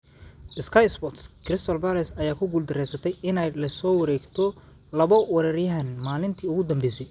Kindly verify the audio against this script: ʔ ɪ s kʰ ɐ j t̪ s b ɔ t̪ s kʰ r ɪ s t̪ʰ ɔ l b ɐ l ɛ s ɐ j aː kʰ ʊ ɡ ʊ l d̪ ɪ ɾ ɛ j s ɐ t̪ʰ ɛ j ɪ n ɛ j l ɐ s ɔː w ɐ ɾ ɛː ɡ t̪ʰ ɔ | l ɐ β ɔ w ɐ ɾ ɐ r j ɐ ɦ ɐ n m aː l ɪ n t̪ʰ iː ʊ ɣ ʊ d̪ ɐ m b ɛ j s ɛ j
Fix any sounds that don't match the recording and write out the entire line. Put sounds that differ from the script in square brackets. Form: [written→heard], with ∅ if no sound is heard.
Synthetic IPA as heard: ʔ ɪ s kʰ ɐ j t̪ s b ɔ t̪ s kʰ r ɪ s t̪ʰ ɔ l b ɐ l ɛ s ɐ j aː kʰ ʊ ɡ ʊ l d̪ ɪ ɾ ɛ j s ɐ t̪ʰ ɛ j ɪ n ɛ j l ɐ s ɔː w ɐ ɾ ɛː ɡ t̪ʰ ɔ | l ɐ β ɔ w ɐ ɾ ɐ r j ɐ ɦ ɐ n m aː l ɪ n t̪ʰ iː ʊ ɣ ʊ d̪ ɐ m b ɛ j s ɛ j